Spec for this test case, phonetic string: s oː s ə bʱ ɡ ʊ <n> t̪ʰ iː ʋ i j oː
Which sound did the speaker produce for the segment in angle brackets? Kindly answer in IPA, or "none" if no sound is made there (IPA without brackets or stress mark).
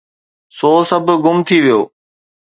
m